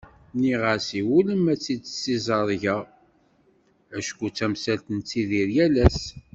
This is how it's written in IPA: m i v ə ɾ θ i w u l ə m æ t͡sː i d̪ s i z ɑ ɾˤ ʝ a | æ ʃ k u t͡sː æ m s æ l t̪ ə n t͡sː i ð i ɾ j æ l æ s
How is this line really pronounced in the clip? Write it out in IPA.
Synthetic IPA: n i ʁ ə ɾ s i w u l ə m æ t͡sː i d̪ s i z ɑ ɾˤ ʝ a | æ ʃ k u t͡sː æ m s æ l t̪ ə n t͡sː i ð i ɾ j æ l æ s